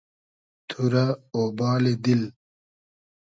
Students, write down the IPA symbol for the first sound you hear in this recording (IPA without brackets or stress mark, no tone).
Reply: t̪ʰ